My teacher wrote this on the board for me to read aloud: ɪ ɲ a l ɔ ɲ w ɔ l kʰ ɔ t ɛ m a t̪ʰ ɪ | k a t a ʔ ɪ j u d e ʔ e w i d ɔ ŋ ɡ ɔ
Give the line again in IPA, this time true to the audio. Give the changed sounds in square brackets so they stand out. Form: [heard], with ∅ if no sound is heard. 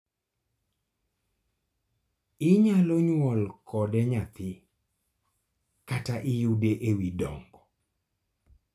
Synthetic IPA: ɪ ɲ a l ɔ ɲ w ɔ l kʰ ɔ [d] ɛ [ɲ] a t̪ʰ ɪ | k a t a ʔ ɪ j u d e ʔ e w i d ɔ ŋ ɡ ɔ